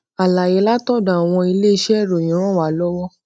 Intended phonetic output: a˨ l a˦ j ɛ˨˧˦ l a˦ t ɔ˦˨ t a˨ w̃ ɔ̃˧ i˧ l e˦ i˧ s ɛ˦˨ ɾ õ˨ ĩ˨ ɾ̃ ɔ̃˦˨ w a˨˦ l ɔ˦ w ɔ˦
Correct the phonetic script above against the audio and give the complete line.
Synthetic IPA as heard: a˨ l a˨ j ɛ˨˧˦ l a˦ t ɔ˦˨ d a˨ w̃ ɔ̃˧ i˧ l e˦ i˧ ʃ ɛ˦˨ ɾ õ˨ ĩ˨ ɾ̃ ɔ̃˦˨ w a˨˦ l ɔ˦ w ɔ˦